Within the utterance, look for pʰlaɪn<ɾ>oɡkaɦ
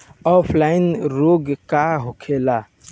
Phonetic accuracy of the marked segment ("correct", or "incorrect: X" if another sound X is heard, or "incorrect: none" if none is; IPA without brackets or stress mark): correct